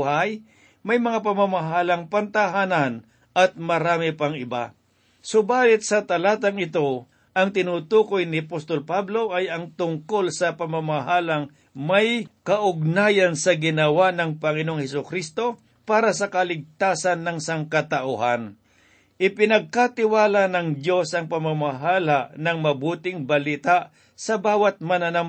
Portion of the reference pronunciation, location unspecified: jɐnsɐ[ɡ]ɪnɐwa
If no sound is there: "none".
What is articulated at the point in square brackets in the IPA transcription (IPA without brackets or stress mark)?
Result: ɡ